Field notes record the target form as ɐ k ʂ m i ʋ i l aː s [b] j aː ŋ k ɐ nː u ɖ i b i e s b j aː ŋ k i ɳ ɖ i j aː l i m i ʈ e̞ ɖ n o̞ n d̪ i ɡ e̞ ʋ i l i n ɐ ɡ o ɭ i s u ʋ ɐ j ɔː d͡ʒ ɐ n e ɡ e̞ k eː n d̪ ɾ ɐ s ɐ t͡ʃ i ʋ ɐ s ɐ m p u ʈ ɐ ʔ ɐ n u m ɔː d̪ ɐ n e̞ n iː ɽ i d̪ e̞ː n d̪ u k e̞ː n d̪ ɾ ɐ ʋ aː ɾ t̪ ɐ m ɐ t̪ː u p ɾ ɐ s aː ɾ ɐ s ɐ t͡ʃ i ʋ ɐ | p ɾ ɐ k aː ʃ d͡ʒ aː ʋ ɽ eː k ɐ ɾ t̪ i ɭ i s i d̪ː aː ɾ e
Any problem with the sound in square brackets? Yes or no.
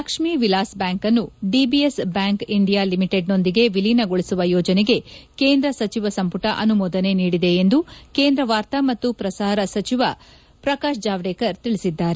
no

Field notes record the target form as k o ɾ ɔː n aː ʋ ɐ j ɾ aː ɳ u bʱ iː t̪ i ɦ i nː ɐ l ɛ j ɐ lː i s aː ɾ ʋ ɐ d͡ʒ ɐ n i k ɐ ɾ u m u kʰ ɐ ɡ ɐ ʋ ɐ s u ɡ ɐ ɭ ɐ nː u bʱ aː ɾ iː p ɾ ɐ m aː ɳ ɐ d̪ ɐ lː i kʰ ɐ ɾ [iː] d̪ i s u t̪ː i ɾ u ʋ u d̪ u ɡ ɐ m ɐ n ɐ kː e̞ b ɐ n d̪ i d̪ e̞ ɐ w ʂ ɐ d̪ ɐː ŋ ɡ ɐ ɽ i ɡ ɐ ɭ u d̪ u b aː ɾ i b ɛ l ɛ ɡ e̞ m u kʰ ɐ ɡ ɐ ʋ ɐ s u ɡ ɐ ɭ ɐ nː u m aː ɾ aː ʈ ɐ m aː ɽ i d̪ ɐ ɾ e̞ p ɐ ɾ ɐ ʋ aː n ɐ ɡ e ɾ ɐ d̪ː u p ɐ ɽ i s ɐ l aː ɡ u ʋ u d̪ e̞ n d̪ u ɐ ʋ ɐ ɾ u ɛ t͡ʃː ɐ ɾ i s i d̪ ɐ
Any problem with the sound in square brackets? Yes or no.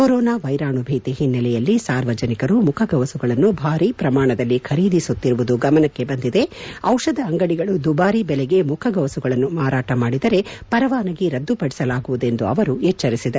no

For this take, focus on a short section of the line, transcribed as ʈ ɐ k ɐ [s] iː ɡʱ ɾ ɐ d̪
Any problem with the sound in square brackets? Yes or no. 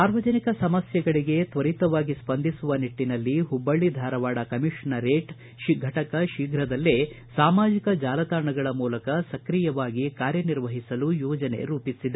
yes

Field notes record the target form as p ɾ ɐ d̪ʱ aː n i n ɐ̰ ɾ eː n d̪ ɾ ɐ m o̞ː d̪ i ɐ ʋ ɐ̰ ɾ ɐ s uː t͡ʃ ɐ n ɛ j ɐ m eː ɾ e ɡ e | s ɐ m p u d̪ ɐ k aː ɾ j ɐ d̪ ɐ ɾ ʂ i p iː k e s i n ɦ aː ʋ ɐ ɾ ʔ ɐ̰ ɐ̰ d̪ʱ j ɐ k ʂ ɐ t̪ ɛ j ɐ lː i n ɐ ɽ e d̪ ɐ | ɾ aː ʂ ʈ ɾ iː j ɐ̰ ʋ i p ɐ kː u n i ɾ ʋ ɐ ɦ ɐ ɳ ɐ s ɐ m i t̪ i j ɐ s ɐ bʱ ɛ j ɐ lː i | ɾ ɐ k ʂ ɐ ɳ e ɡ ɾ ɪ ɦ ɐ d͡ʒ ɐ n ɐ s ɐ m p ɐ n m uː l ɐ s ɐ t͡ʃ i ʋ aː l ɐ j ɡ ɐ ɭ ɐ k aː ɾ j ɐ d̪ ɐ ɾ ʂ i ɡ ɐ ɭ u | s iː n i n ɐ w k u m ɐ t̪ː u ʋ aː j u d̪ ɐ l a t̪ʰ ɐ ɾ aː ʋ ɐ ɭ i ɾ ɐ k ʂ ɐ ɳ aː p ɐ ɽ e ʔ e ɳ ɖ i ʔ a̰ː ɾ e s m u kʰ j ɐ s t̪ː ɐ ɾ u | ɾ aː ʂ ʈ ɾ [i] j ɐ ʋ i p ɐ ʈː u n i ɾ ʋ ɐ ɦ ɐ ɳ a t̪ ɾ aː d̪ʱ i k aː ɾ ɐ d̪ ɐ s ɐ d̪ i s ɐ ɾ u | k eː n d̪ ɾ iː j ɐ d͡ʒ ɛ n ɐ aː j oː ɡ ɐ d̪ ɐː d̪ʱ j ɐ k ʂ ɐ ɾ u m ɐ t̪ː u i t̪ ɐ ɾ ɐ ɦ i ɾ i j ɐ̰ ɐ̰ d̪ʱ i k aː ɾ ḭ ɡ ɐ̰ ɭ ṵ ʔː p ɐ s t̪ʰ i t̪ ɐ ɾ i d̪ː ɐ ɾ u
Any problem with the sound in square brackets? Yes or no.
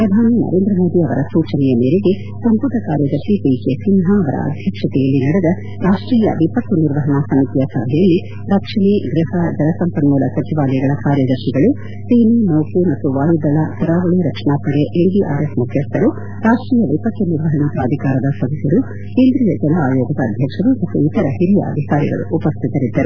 yes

